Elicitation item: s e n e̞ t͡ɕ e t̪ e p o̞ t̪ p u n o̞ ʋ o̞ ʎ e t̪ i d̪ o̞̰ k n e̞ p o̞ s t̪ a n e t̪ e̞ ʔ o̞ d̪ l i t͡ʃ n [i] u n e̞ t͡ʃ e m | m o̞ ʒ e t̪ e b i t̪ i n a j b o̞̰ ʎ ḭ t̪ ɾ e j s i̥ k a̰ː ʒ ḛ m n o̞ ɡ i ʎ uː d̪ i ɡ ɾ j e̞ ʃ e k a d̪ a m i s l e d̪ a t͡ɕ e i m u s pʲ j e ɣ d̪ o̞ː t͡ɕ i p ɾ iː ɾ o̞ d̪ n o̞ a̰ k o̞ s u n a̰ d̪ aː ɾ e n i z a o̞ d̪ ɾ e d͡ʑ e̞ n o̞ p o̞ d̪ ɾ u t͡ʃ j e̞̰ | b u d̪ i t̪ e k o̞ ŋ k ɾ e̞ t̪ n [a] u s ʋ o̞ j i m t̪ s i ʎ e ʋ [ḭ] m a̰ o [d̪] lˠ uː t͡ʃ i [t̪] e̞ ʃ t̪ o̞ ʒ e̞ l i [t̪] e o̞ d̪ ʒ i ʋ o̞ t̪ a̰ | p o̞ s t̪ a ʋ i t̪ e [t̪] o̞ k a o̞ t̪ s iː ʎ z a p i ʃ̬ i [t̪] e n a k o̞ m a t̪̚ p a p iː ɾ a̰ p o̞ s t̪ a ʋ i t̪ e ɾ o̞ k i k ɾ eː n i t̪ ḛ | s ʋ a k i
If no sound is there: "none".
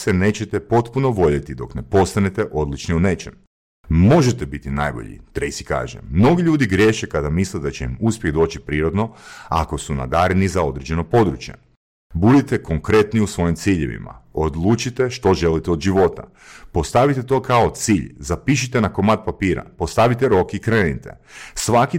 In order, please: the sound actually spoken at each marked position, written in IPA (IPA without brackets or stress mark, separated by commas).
i, i, ḭ, d̪, t̪, t̪, t̪, t̪